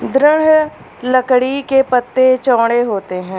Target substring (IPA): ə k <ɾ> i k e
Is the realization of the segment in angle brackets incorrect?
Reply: yes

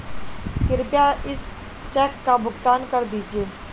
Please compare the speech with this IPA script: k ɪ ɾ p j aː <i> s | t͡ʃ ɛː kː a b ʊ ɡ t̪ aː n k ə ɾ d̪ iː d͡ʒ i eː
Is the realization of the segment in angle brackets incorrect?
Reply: yes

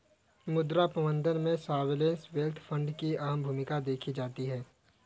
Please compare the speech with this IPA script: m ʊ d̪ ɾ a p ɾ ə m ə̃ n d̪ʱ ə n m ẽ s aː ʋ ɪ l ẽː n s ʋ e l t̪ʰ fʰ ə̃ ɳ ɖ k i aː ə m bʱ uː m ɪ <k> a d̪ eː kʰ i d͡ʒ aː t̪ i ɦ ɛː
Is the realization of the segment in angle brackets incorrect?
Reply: no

